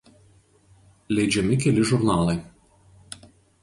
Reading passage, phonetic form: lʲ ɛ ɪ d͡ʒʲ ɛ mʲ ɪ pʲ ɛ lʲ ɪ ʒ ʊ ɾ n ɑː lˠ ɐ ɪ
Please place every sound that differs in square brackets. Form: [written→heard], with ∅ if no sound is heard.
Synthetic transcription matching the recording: lʲ ɛ ɪ d͡ʒʲ ɛ mʲ ɪ [pʲ→kʲ] ɛ lʲ ɪ ʒ ʊ ɾ n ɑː lˠ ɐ ɪ